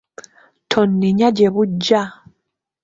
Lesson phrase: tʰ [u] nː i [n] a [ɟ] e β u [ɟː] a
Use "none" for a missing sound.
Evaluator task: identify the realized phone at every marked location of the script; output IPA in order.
o, ɲ, ɟ, ɟː

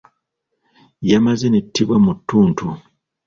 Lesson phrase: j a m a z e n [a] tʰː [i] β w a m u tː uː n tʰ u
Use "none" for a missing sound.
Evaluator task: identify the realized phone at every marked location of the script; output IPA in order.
e, i

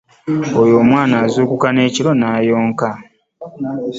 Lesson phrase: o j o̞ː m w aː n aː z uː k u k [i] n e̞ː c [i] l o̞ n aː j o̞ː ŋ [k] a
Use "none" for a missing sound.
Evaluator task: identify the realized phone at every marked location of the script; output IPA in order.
a, i, k

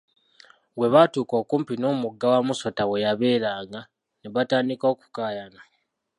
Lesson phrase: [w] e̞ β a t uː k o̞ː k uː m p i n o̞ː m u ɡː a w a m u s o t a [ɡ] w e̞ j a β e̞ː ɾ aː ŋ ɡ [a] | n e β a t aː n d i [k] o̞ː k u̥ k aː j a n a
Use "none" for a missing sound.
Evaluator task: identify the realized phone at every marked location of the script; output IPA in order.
w, none, a, k

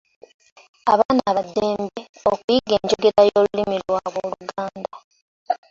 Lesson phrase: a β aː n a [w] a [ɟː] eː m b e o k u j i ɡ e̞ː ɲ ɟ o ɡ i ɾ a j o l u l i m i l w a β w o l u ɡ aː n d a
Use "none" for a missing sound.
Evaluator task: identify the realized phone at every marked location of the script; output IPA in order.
β, dː

